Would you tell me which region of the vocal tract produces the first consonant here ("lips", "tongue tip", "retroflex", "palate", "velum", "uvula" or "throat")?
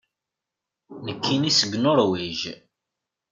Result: tongue tip